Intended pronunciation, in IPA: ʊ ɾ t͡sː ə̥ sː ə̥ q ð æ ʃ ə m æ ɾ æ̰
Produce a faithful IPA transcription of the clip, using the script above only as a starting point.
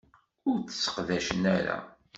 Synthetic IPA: ʊ ɾ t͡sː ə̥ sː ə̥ q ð æ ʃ ə n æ ɾ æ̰